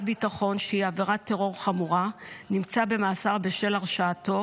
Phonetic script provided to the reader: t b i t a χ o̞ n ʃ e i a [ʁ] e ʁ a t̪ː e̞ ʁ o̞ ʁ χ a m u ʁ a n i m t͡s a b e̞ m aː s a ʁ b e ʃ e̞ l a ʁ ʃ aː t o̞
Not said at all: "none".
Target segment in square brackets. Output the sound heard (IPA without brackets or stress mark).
v